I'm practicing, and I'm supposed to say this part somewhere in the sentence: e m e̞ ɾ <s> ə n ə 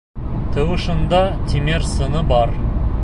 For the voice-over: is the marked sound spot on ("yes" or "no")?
yes